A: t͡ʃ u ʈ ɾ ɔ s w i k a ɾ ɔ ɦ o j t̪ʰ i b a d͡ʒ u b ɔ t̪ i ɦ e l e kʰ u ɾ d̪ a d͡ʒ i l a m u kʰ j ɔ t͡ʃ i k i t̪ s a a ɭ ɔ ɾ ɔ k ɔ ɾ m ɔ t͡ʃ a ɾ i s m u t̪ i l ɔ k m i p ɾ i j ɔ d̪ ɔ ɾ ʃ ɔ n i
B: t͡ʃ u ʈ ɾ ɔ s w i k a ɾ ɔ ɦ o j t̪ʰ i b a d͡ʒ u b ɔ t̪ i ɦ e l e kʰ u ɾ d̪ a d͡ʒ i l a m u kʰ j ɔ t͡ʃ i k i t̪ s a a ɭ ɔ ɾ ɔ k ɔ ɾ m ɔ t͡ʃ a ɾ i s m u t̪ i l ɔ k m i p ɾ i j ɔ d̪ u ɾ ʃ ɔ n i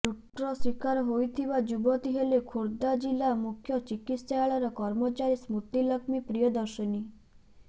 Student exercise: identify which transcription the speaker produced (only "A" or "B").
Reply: A